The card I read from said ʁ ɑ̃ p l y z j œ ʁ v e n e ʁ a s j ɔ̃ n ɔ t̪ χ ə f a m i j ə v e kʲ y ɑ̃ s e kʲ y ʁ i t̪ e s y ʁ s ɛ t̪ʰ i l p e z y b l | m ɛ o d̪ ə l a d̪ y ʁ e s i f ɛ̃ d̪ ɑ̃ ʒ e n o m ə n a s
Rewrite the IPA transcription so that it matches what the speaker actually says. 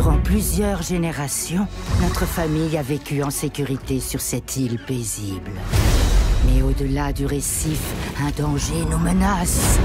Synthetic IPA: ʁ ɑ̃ p l y z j œ ʁ ʒ e n e ʁ a s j ɔ̃ n ɔ t̪ χ ə f a m i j a v e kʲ y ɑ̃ s e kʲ y ʁ i t̪ e s y ʁ s ɛ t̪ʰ i l p e z i b l | m ɛ o d̪ ə l a d̪ y ʁ e s i f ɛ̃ d̪ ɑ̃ ʒ e n o m ə n a s